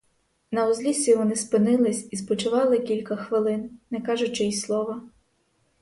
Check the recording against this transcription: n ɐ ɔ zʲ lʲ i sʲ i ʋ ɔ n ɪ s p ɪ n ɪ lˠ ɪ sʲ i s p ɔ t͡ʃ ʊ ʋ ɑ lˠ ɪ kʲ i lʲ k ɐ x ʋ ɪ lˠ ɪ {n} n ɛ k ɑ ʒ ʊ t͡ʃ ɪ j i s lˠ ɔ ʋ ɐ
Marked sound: correct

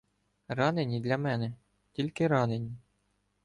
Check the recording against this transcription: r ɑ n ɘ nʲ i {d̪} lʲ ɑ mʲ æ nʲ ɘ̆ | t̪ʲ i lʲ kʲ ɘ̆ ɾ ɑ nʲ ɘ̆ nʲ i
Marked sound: correct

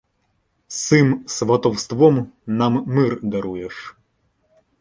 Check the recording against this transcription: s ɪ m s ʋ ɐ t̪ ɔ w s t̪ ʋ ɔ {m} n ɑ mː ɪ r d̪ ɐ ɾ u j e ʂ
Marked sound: correct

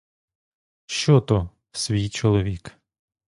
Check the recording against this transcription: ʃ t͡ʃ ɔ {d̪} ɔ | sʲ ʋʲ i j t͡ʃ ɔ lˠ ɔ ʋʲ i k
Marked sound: incorrect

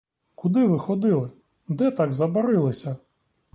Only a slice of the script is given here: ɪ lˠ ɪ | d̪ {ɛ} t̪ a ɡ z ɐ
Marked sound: correct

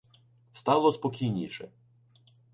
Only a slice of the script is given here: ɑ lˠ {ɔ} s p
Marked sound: correct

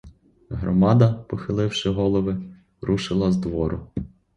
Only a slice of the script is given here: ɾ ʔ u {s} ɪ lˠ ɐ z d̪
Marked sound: incorrect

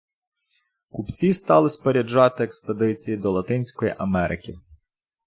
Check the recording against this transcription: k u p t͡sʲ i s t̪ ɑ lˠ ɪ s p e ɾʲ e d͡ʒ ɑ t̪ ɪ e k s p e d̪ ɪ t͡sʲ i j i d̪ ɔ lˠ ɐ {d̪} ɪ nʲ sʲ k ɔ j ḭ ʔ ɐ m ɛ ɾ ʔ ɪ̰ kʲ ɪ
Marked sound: incorrect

